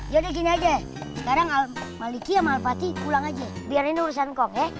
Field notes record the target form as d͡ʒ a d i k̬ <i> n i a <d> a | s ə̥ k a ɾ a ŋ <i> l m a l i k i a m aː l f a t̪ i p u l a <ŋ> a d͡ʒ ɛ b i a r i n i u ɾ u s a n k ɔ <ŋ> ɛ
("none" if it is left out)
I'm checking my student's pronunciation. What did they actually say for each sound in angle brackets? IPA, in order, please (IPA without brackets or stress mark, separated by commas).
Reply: i, d͡ʒ, a, ŋ, ŋ